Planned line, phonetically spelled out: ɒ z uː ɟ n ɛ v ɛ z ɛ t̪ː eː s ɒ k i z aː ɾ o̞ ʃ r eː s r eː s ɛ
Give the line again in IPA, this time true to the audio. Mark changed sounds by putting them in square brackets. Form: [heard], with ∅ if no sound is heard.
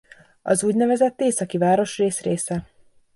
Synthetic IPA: ɒ z uː ɟ n ɛ v ɛ z ɛ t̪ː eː s ɒ k i [v] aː ɾ o̞ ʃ r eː s r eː s ɛ